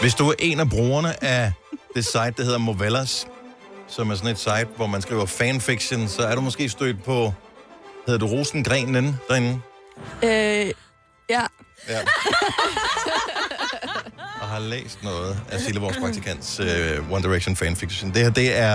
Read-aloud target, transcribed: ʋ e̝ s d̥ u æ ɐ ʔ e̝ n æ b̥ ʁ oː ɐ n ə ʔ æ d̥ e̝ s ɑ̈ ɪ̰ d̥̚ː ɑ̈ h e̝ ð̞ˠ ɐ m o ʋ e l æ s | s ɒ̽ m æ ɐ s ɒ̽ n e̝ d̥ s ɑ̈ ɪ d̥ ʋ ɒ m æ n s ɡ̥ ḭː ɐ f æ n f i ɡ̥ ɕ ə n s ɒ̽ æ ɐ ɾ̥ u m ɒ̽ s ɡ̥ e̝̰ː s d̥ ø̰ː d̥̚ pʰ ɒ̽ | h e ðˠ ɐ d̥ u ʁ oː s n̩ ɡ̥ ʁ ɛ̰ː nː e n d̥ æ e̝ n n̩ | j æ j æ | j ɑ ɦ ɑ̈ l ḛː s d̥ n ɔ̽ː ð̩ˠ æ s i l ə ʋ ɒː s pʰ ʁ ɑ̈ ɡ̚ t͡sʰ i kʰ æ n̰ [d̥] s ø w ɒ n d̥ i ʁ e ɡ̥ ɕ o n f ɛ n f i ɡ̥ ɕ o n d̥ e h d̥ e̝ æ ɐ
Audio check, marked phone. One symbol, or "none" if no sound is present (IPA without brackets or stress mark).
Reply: d̥